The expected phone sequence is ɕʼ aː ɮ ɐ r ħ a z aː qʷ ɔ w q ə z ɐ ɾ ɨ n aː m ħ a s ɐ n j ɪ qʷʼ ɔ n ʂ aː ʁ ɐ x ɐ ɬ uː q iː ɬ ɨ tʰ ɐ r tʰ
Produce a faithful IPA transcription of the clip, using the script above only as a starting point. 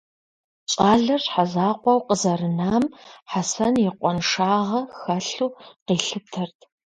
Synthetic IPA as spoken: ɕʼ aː ɮ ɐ r ħ a z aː qʷ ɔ w q ə z ɐ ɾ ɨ n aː m ħ a s ɐ n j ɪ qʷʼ ɔ n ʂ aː ʁ ɐ x ɐ ɬ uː q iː ɬ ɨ tʰ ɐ r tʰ